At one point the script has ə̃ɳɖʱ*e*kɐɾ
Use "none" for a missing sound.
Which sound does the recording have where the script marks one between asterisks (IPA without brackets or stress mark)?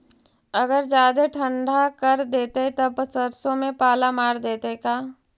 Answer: a